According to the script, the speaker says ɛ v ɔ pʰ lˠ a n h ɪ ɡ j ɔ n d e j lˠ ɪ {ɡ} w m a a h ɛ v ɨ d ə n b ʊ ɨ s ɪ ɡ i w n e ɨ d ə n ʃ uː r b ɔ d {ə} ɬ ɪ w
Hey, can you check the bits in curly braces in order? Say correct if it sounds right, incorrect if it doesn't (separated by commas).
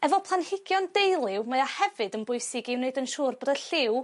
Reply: incorrect, correct